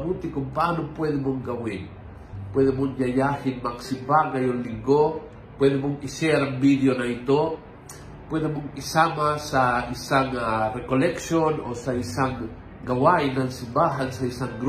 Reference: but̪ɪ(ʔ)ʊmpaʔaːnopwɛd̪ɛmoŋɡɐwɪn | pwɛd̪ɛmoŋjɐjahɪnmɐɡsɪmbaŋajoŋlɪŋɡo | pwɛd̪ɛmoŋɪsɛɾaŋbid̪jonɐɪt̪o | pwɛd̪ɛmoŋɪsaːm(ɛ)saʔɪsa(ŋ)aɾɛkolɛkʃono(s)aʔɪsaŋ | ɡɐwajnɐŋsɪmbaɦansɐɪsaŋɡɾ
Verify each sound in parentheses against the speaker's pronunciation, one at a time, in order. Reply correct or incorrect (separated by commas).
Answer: incorrect, incorrect, correct, correct